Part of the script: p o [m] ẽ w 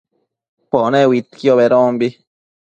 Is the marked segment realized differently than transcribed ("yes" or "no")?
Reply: yes